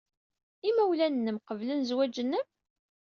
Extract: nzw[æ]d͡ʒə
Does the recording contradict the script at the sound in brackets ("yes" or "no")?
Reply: no